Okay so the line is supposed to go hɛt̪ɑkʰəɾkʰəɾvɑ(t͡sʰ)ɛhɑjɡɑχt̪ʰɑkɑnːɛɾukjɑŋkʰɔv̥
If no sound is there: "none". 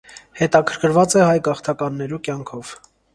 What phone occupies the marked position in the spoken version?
t͡s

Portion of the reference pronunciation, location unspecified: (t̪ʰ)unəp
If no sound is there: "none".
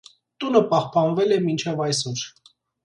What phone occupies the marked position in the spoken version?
t̪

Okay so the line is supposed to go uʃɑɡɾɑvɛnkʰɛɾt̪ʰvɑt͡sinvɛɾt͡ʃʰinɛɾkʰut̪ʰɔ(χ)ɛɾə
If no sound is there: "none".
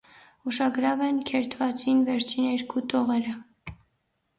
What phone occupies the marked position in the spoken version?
ʁ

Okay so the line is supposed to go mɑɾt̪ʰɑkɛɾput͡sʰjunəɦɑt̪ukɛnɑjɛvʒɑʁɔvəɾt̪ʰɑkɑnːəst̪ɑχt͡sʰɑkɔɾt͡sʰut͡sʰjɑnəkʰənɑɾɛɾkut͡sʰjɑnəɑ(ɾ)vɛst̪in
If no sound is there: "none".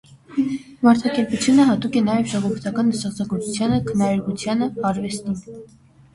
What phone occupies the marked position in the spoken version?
ɾ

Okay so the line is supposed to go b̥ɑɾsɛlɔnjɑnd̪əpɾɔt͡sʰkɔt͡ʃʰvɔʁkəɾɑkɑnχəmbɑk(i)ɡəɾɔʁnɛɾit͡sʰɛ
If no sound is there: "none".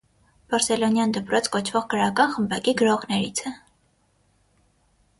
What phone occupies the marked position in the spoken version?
i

